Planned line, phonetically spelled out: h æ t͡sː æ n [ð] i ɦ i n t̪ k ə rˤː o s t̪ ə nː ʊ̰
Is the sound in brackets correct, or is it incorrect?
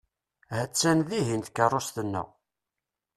correct